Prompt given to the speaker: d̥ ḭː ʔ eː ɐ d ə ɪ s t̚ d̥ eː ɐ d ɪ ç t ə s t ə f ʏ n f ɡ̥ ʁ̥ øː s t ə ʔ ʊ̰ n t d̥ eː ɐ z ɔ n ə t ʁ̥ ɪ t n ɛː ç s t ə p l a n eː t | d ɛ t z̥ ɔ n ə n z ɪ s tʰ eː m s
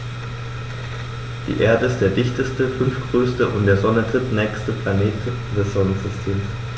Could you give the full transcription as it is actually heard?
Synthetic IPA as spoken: d̥ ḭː ʔ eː ɐ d ə ɪ s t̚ d̥ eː ɐ d ɪ ç t ə s t ə f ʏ n f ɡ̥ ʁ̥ øː s t ə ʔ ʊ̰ n t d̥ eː ɐ z ɔ n ə t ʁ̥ ɪ t n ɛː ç s t ə p l a n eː t | d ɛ s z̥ ɔ n ə n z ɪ s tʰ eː m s